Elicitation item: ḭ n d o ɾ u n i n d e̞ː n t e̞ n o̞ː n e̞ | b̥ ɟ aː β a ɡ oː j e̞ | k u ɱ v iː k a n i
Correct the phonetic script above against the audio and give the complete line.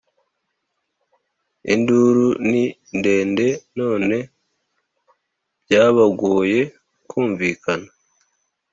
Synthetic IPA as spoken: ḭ n d u ɾ u n i n d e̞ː n d e̞ n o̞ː n e̞ | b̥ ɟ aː β a ɡ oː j e̞ | k uː ɱ v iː k a n a